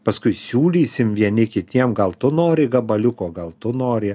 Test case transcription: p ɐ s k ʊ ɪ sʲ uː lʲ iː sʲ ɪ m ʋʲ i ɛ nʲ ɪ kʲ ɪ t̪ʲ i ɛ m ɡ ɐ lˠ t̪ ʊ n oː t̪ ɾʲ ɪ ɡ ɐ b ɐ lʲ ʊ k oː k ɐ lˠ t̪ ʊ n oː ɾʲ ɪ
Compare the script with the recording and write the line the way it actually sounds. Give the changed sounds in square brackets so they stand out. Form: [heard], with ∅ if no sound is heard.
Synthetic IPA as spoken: p ɐ s k ʊ ɪ sʲ uː lʲ iː sʲ ɪ m ʋʲ i ɛ nʲ ɪ kʲ ɪ t̪ʲ i ɛ m ɡ ɐ lˠ t̪ ʊ n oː [∅] ɾʲ ɪ ɡ ɐ b ɐ lʲ ʊ k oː [ɡ] ɐ lˠ t̪ ʊ n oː ɾʲ ɪ